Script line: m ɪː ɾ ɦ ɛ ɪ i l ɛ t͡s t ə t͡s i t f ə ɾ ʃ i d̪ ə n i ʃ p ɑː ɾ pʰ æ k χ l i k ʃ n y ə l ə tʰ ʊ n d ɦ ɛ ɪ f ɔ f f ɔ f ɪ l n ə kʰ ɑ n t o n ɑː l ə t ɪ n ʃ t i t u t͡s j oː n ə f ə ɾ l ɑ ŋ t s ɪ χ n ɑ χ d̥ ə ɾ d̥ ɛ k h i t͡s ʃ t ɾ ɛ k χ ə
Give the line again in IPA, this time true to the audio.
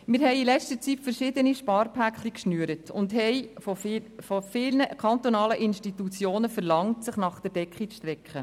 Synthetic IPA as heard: m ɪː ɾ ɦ ɛ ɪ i l ɛ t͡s t ə t͡s i t f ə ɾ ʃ ɪ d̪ ə n i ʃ p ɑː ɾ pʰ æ k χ l i k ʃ n y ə ɾ ə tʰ ʊ n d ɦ ɛ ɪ f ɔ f f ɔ f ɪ l n ə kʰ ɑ n t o n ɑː l ə ʔ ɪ n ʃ t i t u t͡s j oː n ə f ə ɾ l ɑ ŋ t s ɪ χ n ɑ χ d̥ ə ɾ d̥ ɛ k χ i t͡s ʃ t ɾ ɛ k χ ə